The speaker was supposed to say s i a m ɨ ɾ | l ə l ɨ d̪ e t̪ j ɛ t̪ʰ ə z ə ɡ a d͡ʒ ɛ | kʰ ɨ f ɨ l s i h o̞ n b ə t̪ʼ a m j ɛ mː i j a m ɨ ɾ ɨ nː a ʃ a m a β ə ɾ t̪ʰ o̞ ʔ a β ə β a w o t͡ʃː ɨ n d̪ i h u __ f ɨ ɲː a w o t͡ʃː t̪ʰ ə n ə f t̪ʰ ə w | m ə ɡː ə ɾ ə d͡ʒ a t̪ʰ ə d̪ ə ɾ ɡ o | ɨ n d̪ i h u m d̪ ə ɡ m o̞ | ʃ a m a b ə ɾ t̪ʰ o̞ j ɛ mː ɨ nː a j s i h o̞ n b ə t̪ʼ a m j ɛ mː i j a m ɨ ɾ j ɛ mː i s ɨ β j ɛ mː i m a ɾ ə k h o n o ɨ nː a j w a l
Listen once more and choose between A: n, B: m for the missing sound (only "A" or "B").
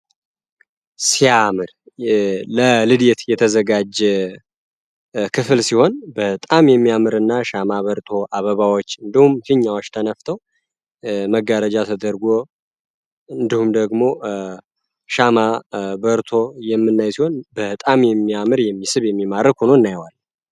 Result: B